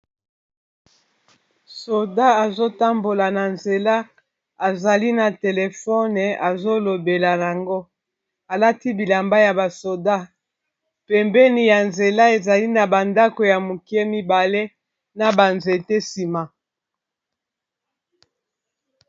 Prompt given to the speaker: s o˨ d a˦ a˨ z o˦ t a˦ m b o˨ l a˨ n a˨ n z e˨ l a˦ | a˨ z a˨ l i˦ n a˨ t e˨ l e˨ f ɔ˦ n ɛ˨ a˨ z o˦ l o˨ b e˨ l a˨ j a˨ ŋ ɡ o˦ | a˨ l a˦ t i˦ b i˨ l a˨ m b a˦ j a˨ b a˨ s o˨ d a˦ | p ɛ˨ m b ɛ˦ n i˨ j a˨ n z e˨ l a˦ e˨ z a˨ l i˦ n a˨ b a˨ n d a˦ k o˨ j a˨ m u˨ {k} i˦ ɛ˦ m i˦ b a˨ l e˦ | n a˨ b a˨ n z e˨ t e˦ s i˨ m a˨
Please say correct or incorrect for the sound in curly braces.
correct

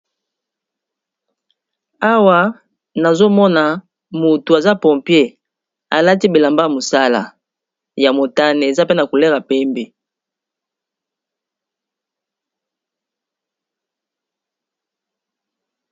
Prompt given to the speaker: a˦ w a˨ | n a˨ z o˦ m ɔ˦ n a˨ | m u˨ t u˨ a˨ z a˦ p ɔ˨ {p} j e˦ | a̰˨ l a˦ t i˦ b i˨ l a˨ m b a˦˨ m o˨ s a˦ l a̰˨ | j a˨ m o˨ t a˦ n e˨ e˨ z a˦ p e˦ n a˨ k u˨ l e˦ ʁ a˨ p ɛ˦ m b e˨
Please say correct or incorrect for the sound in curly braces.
correct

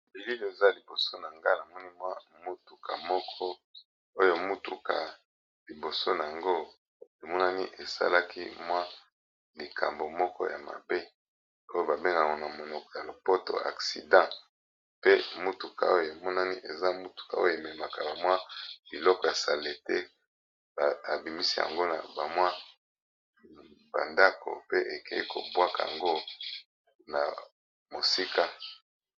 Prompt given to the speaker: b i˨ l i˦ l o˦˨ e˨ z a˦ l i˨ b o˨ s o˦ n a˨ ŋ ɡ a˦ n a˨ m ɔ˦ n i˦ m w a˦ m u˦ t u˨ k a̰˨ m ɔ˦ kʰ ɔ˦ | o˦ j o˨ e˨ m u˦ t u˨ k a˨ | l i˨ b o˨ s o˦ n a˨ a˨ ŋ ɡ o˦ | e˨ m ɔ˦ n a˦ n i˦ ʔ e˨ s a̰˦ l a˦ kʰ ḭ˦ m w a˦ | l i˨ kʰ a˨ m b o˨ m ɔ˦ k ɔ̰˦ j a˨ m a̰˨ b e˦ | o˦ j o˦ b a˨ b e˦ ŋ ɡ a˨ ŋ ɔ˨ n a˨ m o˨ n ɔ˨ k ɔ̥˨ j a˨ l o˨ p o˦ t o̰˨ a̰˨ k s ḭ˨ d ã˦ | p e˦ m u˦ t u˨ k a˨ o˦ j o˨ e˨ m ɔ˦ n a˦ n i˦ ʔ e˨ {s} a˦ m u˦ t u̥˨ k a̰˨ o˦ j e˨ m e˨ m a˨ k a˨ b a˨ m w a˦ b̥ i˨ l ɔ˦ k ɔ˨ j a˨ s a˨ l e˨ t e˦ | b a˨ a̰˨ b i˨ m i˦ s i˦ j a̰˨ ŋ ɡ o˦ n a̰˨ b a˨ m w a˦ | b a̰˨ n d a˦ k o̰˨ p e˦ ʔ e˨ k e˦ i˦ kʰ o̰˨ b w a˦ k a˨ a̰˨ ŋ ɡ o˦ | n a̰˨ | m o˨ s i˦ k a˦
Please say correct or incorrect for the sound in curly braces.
incorrect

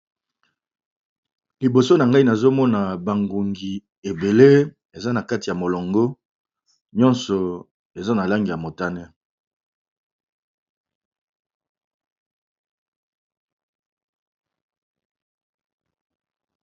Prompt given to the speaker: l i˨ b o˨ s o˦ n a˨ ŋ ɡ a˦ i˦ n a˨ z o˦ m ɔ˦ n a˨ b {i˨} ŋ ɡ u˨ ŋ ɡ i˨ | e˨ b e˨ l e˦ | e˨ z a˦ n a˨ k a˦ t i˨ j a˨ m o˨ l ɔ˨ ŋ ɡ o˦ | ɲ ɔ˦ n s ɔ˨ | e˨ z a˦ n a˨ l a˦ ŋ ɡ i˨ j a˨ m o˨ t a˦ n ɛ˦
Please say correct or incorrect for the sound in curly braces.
incorrect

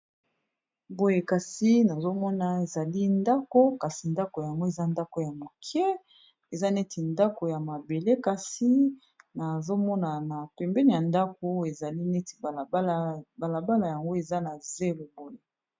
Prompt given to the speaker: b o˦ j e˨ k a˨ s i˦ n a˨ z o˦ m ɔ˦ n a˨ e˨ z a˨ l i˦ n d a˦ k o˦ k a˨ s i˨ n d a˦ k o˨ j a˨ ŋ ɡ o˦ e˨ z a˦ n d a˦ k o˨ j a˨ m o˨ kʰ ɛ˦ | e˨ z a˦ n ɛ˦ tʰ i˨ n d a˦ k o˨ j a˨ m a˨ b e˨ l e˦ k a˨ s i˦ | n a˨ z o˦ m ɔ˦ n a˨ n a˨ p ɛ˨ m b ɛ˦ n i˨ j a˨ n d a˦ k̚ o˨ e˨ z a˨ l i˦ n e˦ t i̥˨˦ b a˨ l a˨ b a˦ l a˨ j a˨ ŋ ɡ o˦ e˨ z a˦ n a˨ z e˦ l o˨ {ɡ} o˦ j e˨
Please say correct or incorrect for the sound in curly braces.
incorrect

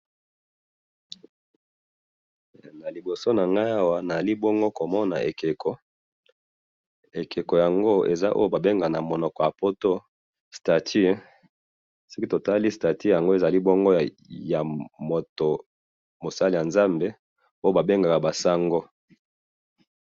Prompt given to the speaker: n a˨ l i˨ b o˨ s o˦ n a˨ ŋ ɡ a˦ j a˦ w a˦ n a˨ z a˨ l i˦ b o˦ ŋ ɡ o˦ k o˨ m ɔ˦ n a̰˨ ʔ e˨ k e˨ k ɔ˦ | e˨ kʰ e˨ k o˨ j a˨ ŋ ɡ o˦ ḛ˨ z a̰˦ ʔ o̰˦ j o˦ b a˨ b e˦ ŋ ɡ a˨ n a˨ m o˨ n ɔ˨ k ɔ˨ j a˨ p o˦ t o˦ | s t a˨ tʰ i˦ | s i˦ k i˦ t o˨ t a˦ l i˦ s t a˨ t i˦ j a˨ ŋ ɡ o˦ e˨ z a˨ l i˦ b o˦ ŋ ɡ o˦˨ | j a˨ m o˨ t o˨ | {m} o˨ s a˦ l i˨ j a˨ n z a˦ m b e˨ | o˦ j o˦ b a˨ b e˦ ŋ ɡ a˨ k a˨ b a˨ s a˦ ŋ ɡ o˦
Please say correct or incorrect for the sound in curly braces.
correct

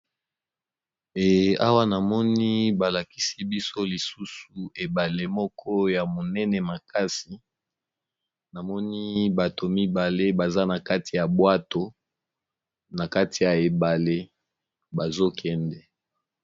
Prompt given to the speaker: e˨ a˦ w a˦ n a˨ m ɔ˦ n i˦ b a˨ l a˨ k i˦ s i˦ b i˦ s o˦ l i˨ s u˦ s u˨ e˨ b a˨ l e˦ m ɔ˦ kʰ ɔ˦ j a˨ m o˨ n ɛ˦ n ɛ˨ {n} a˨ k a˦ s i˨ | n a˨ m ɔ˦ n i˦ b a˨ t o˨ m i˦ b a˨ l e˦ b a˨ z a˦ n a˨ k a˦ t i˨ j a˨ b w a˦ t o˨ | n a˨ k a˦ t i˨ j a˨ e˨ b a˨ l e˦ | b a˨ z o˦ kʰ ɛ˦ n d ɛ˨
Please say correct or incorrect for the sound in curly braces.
incorrect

